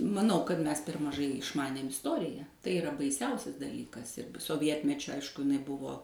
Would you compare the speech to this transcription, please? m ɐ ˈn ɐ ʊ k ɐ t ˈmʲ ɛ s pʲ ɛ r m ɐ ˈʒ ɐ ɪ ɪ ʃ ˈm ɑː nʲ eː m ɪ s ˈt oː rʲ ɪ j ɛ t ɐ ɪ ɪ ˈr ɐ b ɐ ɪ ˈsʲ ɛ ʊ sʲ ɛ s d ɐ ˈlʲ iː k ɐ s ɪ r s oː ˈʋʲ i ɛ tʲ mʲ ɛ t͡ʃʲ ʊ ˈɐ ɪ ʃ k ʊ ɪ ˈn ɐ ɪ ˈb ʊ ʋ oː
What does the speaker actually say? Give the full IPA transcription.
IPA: m ɐ ˈn ɐ ʊ k ɐ t ˈmʲ ɛ s pʲ ɛ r m ɐ ˈʒ ɐ ɪ ɪ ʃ ˈm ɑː nʲ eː m ɪ s ˈt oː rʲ ɪ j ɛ t ɐ ɪ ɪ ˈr ɐ b ɐ ɪ ˈsʲ ɛ ʊ sʲ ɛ s d ɐ ˈlʲ iː k ɐ s ɪ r s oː ˈʋʲ i ɛ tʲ mʲ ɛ t͡ʃʲ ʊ ˈɐ ɪ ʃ k ʊ ɪ ˈn ɐ ɪ ˈb ʊ ʋ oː